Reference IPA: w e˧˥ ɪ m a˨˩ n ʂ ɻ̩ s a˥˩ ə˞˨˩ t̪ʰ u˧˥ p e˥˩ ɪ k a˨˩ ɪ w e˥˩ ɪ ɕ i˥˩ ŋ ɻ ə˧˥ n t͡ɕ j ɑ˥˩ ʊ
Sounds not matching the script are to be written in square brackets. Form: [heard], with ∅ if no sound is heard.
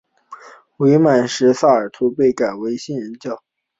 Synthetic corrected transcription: w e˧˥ ɪ m a˨˩ n ʂ ɻ̩ s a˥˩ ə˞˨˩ t̪ʰ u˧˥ p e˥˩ ɪ k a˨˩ ɪ w [e˧˥] ɪ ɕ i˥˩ [n] ɻ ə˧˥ n t͡ɕ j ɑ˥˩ ʊ